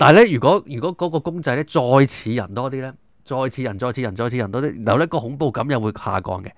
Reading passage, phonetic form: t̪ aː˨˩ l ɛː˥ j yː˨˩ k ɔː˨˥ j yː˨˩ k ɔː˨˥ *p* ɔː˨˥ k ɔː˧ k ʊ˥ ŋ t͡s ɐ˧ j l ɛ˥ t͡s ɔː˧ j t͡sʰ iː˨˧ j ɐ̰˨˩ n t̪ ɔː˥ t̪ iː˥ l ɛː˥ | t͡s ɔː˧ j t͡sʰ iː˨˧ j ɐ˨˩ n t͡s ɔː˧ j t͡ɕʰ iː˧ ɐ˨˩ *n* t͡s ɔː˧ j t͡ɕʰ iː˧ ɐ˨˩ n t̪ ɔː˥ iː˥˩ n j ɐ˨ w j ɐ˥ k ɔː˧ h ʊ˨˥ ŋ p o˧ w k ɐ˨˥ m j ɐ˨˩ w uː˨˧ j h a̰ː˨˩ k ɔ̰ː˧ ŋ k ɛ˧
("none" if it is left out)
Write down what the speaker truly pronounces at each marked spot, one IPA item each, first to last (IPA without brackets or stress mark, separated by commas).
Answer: k, n